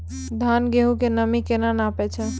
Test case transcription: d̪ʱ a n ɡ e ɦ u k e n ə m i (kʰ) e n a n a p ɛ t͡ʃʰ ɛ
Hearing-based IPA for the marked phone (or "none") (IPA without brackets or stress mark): k